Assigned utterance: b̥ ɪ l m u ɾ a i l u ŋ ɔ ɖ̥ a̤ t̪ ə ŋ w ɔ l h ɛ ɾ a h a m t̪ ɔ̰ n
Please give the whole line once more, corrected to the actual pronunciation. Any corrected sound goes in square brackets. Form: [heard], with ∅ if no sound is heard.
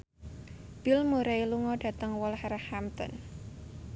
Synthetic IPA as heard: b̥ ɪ l m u ɾ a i l u ŋ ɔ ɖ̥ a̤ t̪ ə ŋ w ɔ l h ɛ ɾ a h a m t̪ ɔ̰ n